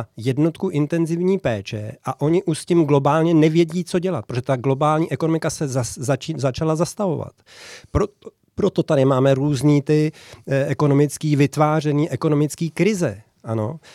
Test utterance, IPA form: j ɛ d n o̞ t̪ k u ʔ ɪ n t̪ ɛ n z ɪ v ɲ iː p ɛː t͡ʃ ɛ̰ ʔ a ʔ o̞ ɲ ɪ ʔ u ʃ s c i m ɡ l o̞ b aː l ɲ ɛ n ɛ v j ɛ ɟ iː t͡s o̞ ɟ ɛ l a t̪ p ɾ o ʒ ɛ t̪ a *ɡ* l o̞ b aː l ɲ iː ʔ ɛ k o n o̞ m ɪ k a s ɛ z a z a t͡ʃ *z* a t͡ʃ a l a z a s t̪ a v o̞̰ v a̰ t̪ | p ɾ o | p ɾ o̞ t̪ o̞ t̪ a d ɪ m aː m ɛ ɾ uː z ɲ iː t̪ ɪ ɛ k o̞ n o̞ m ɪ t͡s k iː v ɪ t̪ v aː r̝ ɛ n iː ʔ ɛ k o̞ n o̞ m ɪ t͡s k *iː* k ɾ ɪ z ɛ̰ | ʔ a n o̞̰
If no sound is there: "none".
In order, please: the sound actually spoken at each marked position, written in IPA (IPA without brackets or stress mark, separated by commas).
ɡ, z, iː